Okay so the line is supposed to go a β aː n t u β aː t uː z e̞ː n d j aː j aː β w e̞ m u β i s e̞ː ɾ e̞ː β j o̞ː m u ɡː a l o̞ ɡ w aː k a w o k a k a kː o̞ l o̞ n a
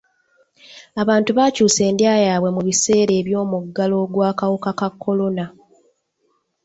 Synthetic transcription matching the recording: a β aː n t u β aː c uː s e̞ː n d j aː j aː β w e̞ m u β i s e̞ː ɾ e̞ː β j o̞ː m u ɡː a l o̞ ɡ w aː k a w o k a k a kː o̞ l o̞ n a